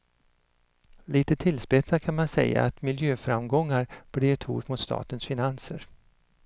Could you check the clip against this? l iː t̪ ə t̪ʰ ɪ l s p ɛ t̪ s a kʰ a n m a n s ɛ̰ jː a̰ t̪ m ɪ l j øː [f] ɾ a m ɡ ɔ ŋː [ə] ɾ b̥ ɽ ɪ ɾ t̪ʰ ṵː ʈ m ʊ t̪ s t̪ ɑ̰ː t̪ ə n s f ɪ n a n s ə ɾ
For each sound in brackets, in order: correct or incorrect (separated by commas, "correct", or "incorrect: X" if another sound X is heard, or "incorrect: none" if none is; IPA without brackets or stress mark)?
correct, incorrect: a